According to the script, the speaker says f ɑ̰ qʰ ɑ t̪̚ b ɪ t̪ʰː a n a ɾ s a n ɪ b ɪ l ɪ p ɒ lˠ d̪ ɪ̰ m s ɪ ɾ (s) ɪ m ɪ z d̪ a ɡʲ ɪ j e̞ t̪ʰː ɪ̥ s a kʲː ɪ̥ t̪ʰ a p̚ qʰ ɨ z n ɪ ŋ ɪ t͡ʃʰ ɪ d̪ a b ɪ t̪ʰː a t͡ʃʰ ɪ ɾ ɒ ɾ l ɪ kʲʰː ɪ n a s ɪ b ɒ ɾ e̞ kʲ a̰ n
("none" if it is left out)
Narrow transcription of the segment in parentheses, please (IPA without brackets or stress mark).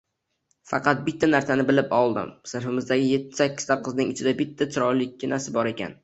f